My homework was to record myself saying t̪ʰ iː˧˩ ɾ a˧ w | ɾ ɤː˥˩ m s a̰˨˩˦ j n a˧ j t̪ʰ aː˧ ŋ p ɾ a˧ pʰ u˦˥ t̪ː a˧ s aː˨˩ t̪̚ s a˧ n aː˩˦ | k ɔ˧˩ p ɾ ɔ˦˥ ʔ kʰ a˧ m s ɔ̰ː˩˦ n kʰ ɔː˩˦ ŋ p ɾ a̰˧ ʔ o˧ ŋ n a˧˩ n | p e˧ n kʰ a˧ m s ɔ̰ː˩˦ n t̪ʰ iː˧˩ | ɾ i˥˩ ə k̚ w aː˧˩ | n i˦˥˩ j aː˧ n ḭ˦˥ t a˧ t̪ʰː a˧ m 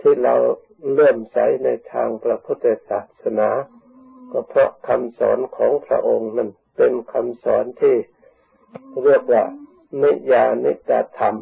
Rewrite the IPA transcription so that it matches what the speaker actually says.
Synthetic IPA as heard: t̪ʰ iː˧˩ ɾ a˧ w | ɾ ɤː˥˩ m s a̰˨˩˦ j n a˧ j t̪ʰ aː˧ ŋ p ɾ a˧ pʰ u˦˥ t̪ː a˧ s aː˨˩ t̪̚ s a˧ n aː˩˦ | k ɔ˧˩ pʰ ɾ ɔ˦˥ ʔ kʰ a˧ m s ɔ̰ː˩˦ n kʰ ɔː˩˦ ŋ pʰ ɾ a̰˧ ʔ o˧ ŋ n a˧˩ n | p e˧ n kʰ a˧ m s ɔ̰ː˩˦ n t̪ʰ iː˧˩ | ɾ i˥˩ ə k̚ w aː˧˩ | n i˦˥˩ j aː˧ n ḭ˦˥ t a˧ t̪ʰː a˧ m